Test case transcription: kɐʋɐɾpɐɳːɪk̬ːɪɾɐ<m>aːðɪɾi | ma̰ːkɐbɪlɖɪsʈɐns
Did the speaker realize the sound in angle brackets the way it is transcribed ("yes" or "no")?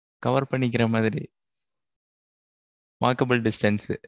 yes